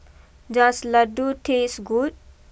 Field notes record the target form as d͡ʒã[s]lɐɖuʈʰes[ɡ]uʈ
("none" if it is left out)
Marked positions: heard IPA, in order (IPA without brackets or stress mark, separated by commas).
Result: s, ɡ